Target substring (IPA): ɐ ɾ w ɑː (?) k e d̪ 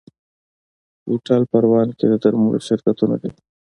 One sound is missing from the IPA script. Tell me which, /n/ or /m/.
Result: n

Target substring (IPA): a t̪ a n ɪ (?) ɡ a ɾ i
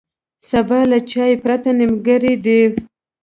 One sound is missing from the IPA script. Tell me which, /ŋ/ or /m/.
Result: m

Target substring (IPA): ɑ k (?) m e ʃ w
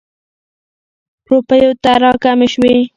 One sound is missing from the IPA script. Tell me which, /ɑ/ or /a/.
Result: a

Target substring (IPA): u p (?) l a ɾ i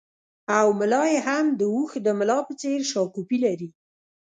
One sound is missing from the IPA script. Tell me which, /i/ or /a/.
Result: i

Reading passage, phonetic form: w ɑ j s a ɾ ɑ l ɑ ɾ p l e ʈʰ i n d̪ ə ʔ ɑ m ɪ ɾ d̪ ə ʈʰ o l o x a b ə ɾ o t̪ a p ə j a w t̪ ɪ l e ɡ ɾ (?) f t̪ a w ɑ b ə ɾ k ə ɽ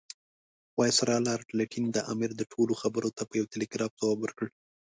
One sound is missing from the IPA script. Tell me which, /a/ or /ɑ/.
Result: ɑ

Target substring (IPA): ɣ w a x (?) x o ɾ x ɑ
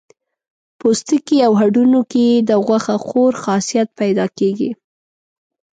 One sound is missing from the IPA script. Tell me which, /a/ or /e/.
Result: a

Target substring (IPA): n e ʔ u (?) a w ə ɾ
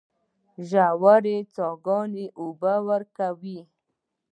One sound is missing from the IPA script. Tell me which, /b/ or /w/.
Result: b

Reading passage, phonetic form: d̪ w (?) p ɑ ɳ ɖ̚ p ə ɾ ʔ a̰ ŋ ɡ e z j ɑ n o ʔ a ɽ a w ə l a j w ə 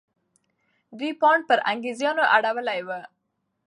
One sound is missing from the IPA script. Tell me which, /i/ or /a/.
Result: i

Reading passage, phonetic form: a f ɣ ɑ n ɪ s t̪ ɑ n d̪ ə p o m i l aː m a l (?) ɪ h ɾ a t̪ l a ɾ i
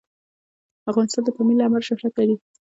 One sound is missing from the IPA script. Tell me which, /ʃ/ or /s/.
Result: ʃ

